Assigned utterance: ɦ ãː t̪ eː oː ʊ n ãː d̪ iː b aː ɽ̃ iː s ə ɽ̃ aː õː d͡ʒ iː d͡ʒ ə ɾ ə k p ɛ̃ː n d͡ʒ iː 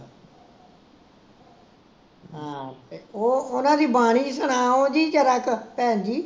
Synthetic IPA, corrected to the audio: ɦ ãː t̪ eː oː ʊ n ãː d̪ iː b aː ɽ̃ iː s ə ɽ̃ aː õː d͡ʒ iː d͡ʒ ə ɾ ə k p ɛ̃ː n d͡ʒ iː